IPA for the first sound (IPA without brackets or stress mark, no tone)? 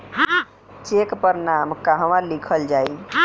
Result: t͡ʃ